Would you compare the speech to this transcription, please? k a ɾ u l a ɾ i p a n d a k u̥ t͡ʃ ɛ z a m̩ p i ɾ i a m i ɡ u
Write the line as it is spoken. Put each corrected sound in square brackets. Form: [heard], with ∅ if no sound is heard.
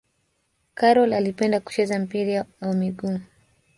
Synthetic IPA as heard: k a ɾ [ɔ] l a [l] i p [ɛ] n d a k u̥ t͡ʃ ɛ z a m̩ p i ɾ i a m i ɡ u